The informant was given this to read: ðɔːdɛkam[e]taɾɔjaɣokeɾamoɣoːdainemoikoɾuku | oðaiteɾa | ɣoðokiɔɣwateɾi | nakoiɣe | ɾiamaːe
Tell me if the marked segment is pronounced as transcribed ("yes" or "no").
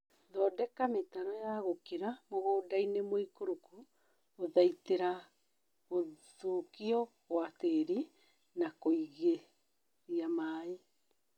yes